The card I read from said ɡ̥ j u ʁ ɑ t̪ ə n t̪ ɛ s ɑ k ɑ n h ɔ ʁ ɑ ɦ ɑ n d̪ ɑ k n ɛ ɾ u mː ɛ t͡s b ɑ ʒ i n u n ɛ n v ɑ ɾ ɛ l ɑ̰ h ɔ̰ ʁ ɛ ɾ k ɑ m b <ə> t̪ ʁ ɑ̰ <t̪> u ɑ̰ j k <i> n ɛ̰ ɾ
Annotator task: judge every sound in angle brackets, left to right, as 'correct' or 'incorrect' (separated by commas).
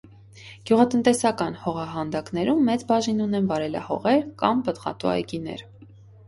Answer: correct, correct, correct